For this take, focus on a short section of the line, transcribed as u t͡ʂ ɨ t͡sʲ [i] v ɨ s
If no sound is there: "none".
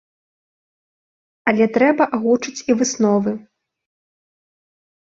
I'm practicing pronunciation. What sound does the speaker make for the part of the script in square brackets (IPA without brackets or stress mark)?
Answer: i